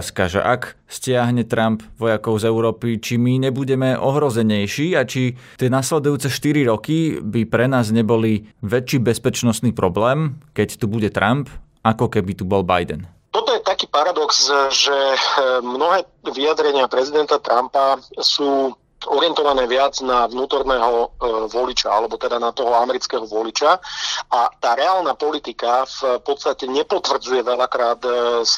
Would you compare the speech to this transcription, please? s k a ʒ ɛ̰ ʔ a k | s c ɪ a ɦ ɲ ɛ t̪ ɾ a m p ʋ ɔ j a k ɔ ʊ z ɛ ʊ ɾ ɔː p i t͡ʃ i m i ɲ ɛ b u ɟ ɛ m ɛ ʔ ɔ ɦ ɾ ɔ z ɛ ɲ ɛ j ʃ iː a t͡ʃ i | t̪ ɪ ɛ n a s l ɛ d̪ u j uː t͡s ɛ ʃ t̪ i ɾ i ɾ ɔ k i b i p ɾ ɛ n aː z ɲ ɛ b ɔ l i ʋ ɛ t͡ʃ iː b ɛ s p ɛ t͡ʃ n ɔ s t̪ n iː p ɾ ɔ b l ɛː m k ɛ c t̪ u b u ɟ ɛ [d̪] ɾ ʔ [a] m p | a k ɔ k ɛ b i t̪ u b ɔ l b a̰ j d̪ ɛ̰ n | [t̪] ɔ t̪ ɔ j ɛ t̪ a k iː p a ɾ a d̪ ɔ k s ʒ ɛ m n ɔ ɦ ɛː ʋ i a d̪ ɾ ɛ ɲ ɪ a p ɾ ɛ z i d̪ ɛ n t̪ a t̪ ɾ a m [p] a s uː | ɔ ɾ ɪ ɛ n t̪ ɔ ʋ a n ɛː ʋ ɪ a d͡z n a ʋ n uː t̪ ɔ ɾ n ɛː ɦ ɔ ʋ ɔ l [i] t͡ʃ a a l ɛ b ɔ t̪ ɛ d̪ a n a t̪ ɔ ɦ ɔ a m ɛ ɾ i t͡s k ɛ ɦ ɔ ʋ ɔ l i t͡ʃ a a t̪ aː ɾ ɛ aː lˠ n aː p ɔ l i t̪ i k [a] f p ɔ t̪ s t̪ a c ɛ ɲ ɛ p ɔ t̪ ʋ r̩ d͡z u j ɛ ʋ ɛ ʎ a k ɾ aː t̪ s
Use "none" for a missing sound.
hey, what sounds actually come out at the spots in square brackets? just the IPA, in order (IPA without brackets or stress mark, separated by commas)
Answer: t̪, a, t̪, p, i, a